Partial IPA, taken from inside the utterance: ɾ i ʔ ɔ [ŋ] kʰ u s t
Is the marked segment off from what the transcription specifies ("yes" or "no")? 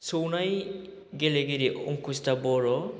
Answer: no